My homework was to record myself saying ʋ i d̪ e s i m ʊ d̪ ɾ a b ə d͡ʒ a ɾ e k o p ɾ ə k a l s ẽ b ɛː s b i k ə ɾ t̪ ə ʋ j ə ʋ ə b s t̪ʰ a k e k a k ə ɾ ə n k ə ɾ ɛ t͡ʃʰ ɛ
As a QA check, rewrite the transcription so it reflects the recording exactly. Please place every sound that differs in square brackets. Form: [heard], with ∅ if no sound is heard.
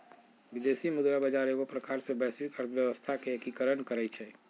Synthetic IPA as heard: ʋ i d̪ e s i m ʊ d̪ ɾ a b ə d͡ʒ a ɾ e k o p ɾ ə k a [ɾ] s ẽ b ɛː s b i k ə ɾ [t̪ʰ] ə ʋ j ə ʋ ə [∅] s t̪ʰ a k e k [i] k ə ɾ ə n k ə ɾ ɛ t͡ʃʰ ɛ